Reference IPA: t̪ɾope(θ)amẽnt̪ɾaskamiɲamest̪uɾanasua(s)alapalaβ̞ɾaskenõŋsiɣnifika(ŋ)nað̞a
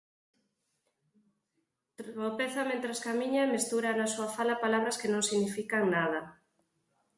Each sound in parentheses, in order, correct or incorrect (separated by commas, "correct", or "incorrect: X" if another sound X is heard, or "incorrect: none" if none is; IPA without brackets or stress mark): correct, incorrect: f, correct